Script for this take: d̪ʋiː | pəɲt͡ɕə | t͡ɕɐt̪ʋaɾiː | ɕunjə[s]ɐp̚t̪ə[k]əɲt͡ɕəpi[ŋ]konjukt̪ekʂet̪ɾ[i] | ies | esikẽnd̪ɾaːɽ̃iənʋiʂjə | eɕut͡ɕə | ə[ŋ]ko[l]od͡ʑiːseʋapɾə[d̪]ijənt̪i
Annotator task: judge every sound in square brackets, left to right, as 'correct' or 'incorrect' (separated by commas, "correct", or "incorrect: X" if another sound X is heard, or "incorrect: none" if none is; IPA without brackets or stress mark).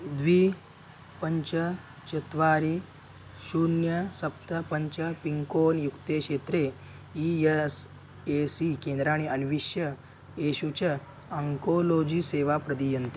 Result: correct, incorrect: p, correct, incorrect: e, correct, correct, correct